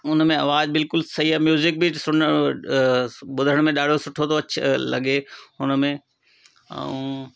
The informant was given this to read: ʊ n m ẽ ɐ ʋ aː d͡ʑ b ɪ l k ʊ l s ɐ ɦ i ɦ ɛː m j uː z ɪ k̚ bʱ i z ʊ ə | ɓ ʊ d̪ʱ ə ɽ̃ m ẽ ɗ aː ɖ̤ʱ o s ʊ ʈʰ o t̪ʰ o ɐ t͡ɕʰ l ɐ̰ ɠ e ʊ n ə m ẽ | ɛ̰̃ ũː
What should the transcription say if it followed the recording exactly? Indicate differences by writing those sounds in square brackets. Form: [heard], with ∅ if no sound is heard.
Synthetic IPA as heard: ʊ n m ẽ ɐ ʋ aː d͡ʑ b ɪ l k ʊ l s ɐ ɦ i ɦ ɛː m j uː z ɪ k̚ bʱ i [s] ʊ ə | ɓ ʊ d̪ʱ ə ɽ̃ m ẽ ɗ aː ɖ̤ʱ o s ʊ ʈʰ o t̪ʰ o ɐ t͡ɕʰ l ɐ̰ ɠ e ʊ n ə m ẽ | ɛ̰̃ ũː